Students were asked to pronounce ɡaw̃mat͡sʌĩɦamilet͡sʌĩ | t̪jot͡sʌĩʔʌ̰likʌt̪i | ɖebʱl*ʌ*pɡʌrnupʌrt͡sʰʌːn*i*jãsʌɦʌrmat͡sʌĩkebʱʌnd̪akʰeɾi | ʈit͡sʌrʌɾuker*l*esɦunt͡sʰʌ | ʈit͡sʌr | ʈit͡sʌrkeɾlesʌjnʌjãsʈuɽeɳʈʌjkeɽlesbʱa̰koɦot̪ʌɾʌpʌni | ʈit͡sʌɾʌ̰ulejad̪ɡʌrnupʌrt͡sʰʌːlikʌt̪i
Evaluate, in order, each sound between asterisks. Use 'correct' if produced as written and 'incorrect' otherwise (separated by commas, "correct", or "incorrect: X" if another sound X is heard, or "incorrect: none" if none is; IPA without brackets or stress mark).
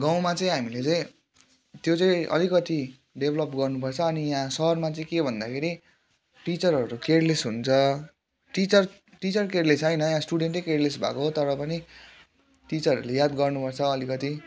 correct, correct, correct